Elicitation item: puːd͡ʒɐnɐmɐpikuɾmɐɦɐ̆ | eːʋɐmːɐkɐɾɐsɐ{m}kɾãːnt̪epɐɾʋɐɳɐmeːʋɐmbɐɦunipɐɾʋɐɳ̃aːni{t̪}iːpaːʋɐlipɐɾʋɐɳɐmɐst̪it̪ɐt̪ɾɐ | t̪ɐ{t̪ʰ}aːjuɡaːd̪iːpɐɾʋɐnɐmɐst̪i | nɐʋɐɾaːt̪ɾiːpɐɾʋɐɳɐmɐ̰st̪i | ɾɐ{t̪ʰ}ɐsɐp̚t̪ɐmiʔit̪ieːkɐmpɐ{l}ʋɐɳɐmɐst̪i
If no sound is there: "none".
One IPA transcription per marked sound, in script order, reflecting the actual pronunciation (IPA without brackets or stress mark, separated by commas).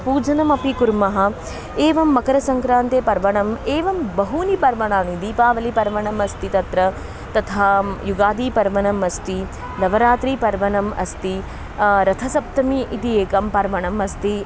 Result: ŋ, d̪, t̪ʰ, t̪ʰ, ɾ